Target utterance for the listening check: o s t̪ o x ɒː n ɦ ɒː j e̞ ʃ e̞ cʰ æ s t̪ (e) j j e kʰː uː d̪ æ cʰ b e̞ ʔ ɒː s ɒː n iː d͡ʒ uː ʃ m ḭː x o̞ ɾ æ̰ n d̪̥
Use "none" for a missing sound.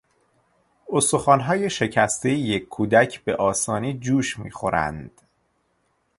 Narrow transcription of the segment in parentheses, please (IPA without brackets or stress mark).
e